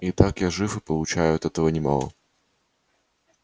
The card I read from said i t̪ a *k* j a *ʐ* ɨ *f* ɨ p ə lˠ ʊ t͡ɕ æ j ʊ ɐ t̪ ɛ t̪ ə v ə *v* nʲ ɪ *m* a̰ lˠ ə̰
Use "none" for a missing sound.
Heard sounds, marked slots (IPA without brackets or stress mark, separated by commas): k, ʐ, f, none, m